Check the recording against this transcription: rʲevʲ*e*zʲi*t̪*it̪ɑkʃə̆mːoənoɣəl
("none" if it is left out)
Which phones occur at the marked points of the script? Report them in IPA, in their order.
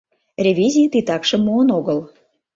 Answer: i, t̪

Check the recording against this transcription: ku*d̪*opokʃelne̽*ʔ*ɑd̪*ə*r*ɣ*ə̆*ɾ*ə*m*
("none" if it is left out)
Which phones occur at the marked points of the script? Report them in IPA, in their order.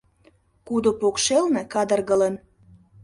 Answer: d̪, k, ə, ɣ, l, n

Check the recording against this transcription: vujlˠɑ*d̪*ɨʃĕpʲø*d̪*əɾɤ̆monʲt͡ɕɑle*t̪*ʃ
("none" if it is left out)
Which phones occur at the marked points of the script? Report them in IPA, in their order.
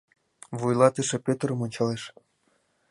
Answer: t̪, t̪, none

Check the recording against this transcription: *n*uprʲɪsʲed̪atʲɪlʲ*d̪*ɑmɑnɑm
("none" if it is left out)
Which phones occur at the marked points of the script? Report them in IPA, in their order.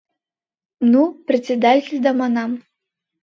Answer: n, d̪

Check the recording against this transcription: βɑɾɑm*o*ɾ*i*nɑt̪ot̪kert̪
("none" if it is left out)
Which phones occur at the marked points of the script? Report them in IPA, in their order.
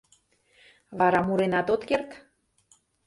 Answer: u, e

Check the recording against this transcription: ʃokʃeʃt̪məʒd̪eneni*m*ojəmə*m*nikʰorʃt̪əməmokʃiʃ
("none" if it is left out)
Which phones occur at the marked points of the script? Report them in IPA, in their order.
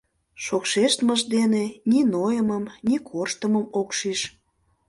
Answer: n, m

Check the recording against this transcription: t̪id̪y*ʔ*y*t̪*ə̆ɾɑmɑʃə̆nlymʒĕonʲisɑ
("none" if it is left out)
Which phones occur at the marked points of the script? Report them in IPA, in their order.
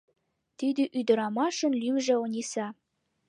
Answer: ʔ, d̪

